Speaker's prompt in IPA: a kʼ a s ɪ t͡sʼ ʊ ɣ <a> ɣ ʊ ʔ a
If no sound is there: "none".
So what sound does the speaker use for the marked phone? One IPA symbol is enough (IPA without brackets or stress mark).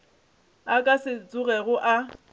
ɛ